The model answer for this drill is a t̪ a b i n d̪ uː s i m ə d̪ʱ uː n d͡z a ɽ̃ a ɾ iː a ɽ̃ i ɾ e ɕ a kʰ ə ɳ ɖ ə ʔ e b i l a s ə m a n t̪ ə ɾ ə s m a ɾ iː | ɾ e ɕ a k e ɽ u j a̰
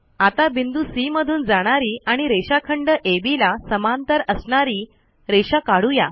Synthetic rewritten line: a t̪ a b i n d̪ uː s i m ə d̪ʱ uː n d͡z a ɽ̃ a ɾ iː a ɽ̃ i ɾ e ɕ a kʰ ə ɳ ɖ ə ʔ e b i l a s ə m a n t̪ ə ɾ ə s ɳ a ɾ iː | ɾ e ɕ a k a ɽ u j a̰